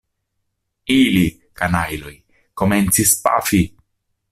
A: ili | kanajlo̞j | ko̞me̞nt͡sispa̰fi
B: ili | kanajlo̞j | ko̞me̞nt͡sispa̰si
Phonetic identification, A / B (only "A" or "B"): A